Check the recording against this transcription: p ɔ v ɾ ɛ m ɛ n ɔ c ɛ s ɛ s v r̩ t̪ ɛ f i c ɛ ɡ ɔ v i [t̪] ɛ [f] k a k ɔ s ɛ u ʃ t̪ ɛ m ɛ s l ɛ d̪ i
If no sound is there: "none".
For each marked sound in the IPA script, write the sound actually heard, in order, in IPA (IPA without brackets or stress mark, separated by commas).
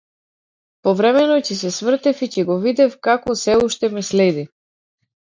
d̪, f